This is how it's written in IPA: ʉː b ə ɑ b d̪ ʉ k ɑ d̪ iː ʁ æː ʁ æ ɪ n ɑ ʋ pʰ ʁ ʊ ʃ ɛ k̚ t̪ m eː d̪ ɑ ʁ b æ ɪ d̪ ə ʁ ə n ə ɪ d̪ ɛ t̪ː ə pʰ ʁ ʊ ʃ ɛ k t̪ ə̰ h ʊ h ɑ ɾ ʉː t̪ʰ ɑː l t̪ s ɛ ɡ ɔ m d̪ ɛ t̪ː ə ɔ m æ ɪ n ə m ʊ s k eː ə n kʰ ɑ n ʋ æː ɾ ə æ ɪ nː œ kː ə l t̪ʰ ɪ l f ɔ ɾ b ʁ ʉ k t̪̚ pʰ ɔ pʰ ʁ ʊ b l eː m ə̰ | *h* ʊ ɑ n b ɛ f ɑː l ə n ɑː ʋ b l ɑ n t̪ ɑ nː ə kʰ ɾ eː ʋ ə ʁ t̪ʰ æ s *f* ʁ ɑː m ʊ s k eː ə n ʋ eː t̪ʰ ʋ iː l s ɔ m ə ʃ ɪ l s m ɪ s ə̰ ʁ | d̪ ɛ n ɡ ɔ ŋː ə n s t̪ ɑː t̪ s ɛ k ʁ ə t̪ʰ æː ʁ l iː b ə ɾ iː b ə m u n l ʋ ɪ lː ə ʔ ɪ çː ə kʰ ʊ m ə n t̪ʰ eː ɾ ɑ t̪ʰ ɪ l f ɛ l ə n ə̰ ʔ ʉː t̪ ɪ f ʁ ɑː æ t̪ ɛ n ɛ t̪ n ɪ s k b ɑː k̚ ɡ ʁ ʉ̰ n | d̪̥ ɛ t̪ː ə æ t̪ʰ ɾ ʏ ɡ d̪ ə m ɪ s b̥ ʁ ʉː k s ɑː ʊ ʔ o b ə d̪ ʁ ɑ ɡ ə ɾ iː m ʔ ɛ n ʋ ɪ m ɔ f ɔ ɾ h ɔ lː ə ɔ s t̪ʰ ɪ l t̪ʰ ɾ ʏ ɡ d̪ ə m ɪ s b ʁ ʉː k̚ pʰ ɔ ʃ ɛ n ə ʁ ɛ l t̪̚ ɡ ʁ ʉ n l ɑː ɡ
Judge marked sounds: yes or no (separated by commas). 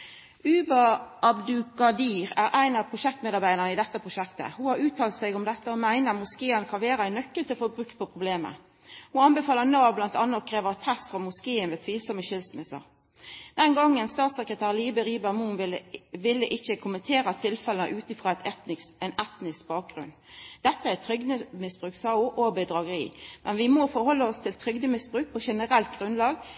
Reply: yes, yes